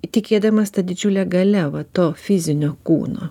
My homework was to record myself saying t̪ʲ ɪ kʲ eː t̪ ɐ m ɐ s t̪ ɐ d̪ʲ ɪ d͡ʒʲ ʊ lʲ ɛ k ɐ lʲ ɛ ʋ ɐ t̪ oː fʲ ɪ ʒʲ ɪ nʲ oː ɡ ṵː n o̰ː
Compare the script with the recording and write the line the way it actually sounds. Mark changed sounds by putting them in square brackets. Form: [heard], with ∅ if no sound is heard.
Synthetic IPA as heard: t̪ʲ ɪ kʲ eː [d̪] ɐ m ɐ s t̪ ɐ d̪ʲ ɪ d͡ʒʲ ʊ lʲ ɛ [ɡ] ɐ lʲ ɛ ʋ ɐ t̪ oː fʲ ɪ [zʲ] ɪ nʲ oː [k] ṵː n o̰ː